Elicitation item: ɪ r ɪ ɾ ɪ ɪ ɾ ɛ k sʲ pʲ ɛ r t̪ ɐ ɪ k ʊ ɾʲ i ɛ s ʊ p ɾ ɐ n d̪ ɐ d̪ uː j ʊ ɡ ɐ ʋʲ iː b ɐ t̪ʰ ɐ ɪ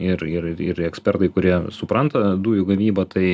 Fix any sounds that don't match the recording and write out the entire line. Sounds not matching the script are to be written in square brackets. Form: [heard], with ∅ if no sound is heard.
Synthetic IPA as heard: ɪ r ɪ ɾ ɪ ɪ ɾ ɛ k sʲ pʲ ɛ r t̪ ɐ ɪ k ʊ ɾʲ i ɛ s ʊ p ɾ ɐ n [t̪] ɐ d̪ uː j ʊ ɡ ɐ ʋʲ iː b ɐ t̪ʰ ɐ ɪ